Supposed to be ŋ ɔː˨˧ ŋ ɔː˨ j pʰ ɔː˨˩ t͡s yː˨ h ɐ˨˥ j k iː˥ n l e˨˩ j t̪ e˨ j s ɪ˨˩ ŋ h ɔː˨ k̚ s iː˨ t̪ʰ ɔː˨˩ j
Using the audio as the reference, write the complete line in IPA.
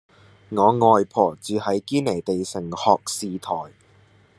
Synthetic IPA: ŋ ɔː˨˧ ŋ ɔː˨ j pʰ ɔː˨˩ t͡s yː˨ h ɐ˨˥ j k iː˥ n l e˨˩ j t̪ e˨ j s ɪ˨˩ ŋ h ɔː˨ k̚ s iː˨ t̪ʰ ɔː˨˩ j